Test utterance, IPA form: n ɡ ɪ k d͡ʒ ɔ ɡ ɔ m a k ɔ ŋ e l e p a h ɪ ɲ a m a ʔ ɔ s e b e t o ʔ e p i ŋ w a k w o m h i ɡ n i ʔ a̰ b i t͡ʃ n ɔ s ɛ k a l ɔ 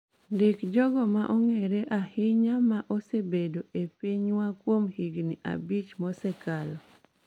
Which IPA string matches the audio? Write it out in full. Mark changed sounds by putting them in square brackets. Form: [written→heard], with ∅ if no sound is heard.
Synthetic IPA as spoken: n [ɡ→d] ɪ k d͡ʒ ɔ ɡ ɔ m a [k→ʔ] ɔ ŋ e [l→ɾ] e [p→ʔ] a h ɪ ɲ a m a ʔ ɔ s e b e [t→d] o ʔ e p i [ŋ→ɲ] w a k w o m h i ɡ n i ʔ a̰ b i t͡ʃ [n→m] ɔ s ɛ k a l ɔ